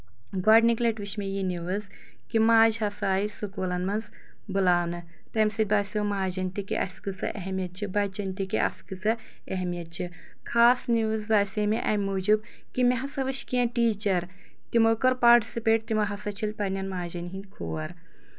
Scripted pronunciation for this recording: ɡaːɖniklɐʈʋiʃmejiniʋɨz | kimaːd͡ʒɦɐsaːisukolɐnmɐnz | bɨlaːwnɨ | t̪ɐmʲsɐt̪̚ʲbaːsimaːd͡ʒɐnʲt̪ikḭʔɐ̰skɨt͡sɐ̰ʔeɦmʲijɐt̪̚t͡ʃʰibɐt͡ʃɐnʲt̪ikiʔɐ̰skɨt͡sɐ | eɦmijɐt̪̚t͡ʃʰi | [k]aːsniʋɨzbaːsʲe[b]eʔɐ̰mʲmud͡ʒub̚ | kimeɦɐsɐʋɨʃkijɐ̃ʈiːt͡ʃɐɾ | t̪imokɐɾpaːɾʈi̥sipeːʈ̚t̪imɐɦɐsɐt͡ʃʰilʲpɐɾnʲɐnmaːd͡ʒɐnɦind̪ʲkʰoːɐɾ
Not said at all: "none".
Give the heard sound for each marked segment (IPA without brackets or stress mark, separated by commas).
kʰ, m